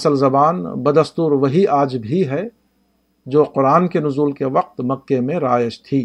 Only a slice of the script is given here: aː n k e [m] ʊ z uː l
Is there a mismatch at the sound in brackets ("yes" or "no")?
yes